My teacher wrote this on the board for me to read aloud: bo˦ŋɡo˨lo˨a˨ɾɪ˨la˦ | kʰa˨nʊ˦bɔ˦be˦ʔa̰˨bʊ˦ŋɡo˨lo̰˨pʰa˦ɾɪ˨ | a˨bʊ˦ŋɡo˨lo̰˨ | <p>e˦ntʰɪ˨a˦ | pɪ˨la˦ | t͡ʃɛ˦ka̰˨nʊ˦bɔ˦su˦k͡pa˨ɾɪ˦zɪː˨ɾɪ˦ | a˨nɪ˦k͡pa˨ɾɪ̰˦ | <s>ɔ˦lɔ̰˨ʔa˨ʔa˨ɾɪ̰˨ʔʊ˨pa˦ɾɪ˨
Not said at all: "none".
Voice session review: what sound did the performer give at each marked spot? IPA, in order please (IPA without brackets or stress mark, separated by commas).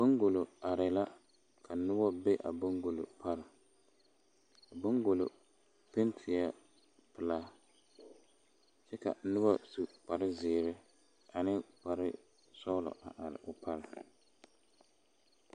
p, s